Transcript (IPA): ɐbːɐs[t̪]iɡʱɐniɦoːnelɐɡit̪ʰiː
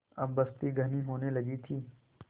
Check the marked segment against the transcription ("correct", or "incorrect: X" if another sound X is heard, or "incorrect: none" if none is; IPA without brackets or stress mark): correct